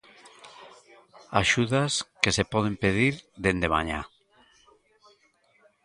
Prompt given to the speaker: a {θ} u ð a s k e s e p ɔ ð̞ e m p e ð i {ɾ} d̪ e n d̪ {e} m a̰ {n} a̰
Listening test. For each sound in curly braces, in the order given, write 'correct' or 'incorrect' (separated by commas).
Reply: incorrect, correct, correct, incorrect